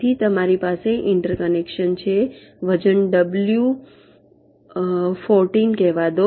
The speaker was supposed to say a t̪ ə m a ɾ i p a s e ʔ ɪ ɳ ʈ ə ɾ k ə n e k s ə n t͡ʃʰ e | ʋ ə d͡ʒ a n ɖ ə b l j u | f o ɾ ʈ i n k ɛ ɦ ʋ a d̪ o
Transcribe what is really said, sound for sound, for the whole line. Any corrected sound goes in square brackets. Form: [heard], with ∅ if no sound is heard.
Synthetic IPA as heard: [i] t̪ ə m a ɾ i p a s e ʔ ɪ ɳ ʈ ə ɾ k ə n e k [ʃ] ə n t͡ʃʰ e | ʋ ə d͡ʒ [ə] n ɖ ə b l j u | f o ɾ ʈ i n k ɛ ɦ ʋ a d̪ o